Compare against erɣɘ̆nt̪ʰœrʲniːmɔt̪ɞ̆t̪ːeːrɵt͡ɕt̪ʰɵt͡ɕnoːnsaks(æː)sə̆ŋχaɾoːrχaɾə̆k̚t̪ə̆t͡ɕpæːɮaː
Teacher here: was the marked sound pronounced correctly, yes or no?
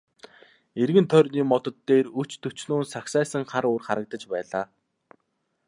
yes